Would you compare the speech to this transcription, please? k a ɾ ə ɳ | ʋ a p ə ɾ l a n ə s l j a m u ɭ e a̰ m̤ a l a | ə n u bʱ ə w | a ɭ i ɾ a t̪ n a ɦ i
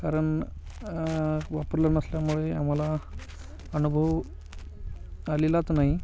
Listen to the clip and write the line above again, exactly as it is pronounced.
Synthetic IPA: k a ɾ ə ɳ | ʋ a p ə ɾ l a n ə s l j a m u ɭ e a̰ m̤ a l a | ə n u bʱ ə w | a l i l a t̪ n a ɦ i